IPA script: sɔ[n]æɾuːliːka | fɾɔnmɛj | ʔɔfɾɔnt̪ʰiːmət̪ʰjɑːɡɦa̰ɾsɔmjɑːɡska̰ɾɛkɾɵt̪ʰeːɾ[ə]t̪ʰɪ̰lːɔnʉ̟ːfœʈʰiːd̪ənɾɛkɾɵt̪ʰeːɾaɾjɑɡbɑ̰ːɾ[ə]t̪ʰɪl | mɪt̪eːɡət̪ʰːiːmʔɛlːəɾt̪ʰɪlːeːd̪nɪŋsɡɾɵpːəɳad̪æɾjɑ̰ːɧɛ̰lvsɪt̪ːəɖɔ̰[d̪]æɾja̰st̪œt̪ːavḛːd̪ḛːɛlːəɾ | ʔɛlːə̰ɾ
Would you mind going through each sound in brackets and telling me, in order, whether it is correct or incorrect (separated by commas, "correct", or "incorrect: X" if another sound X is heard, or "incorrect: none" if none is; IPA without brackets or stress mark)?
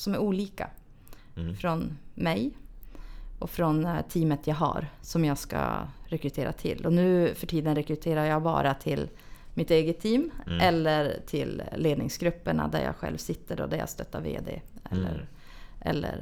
incorrect: m, incorrect: a, incorrect: a, correct